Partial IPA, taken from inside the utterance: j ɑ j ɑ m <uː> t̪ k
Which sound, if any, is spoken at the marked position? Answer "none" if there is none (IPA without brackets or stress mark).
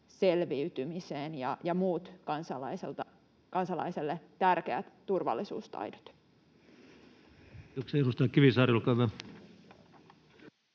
uː